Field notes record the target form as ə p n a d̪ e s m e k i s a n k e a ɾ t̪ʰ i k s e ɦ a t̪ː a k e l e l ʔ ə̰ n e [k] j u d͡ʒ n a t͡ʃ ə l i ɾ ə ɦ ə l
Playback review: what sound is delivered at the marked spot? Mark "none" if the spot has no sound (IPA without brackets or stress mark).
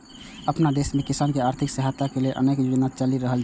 k